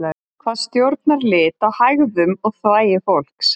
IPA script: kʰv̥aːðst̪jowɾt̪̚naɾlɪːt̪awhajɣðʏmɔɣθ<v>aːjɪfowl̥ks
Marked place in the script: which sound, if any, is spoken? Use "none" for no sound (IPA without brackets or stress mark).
v